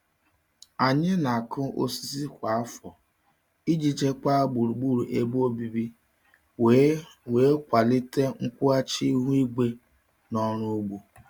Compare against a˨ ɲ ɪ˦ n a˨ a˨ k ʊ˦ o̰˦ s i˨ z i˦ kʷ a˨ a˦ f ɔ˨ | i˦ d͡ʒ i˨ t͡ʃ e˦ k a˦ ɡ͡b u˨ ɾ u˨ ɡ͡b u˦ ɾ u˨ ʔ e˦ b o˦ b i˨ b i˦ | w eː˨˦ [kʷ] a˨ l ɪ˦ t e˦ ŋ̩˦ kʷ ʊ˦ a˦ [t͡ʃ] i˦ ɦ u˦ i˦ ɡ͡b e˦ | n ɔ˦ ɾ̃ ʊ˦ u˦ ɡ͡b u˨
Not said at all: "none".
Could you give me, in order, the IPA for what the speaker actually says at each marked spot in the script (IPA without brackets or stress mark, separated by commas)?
kʷ, t͡ʃ